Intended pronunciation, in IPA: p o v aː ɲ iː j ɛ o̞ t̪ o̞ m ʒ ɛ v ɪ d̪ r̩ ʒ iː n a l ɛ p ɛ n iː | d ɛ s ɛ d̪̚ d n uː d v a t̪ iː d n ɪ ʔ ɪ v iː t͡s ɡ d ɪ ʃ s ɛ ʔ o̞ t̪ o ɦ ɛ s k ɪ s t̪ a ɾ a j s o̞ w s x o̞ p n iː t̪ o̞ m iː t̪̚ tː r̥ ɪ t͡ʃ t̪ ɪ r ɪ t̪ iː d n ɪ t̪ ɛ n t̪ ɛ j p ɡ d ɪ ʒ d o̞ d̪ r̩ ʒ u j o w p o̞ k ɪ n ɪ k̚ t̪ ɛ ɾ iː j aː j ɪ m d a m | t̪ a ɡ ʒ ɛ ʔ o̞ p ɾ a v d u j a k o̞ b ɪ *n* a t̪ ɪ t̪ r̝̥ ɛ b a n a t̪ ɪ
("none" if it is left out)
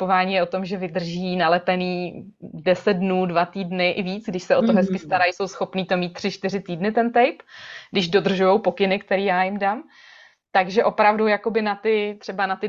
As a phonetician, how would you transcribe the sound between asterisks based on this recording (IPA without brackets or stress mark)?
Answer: n